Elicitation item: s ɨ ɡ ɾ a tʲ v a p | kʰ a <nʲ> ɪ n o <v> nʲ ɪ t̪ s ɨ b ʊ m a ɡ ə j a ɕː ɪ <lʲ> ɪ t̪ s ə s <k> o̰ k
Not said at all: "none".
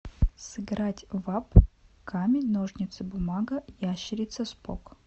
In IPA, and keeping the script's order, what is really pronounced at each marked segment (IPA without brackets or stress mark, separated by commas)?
mʲ, ʐ, ɾʲ, p